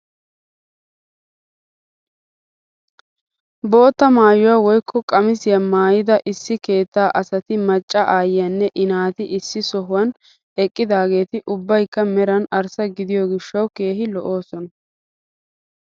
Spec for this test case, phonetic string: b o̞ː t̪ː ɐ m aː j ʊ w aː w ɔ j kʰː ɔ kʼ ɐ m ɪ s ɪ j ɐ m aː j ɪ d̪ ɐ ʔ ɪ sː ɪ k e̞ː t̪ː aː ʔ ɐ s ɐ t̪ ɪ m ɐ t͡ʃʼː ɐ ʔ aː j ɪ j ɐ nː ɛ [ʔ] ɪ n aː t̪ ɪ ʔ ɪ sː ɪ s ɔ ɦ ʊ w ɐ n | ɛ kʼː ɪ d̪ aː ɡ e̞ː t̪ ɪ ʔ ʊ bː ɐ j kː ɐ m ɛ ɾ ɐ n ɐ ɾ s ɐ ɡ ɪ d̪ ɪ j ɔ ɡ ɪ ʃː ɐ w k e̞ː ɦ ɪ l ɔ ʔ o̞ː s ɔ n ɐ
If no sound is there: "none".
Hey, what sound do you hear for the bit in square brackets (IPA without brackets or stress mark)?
ʔ